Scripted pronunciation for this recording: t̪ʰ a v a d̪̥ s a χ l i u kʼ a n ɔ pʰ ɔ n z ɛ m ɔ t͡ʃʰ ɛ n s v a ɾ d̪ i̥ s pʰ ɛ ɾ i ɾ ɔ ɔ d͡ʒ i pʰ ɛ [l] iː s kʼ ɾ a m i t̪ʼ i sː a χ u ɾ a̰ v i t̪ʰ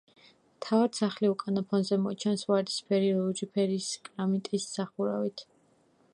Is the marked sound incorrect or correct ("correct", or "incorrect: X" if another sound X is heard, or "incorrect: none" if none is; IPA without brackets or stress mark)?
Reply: incorrect: ɾ